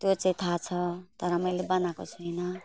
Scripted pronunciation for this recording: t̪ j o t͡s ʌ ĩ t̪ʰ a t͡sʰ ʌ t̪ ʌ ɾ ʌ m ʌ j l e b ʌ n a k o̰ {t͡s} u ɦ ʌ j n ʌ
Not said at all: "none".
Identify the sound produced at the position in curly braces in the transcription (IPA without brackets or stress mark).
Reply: t͡sʰ